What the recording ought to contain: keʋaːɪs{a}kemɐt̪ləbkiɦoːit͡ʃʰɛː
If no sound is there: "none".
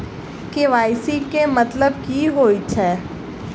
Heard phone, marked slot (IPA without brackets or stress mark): i